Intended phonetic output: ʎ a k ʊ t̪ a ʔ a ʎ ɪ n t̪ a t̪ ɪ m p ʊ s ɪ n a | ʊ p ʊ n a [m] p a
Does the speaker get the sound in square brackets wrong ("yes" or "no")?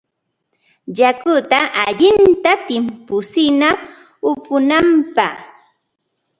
no